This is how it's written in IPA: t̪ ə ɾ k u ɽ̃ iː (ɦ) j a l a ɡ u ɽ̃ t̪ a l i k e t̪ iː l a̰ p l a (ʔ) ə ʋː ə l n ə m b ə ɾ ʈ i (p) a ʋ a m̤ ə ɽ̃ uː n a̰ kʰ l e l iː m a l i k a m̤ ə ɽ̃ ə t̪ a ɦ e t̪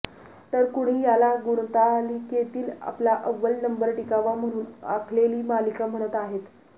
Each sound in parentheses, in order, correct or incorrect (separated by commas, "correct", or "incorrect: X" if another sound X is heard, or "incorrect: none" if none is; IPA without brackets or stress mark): incorrect: none, correct, incorrect: k